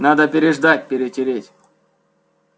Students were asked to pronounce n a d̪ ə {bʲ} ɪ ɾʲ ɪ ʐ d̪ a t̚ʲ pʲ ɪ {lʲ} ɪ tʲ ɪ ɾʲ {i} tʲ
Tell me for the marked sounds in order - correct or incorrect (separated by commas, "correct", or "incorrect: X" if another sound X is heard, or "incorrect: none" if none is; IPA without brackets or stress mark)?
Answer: incorrect: pʲ, incorrect: ɾʲ, incorrect: e